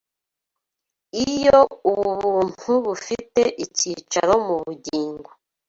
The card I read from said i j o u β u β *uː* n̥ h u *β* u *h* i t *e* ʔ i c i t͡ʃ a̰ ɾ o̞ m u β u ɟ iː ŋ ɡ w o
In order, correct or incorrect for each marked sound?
correct, correct, incorrect: f, correct

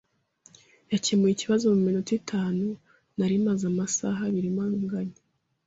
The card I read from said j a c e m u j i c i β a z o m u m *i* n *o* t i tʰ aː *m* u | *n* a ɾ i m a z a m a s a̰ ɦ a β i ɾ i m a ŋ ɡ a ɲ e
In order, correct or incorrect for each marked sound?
correct, incorrect: u, incorrect: n, correct

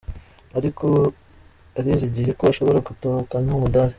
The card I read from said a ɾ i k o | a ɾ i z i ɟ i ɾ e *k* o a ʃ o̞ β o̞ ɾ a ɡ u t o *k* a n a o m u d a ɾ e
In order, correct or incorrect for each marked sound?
correct, correct

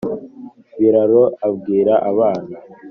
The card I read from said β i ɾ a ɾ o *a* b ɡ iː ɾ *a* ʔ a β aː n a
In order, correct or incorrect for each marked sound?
correct, correct

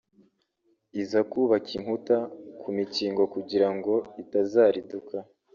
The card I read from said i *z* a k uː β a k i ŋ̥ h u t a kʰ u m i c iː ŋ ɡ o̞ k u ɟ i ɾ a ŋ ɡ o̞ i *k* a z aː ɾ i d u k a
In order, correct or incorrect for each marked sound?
correct, incorrect: t

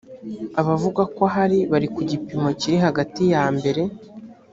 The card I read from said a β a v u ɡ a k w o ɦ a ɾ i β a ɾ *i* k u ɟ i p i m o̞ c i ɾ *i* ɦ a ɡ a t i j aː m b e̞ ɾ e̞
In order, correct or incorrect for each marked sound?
correct, correct

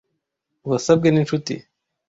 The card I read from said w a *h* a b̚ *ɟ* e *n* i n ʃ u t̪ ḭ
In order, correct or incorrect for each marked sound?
incorrect: s, incorrect: ɡ, correct

